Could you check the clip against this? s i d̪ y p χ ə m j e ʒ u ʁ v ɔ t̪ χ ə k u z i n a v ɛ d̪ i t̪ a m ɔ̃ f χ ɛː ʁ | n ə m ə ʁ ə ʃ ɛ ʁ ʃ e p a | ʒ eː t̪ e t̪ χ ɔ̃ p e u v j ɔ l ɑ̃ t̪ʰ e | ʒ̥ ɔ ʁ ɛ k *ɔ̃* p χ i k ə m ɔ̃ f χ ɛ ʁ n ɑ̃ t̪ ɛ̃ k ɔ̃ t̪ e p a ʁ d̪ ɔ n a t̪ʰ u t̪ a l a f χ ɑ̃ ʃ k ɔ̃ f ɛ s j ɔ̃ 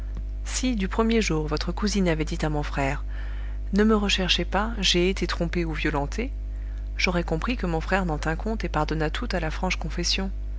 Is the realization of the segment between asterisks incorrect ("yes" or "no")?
no